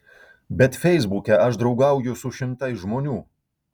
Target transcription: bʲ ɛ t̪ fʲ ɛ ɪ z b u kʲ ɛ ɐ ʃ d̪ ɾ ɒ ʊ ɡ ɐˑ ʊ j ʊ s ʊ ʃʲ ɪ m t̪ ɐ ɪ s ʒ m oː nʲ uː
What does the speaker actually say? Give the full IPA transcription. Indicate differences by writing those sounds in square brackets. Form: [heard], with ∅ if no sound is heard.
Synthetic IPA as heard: bʲ ɛ t̪ fʲ ɛ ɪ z b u kʲ ɛ ɐ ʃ d̪ ɾ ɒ ʊ ɡ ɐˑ ʊ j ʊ s ʊ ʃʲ ɪ m t̪ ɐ ɪ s ʒ m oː nʲ uː